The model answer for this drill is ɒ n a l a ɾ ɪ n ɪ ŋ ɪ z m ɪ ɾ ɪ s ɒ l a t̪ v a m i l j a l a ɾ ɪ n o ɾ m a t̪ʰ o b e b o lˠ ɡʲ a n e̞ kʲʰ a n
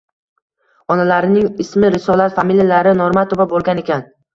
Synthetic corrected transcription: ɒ n a l a ɾ ɪ n ɪ ŋ ɪ s m ɪ ɾ ɪ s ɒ l a t̪ f a m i l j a l a ɾ ɪ n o ɾ m a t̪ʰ o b a b o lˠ ɡʲ a n e̞ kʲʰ a n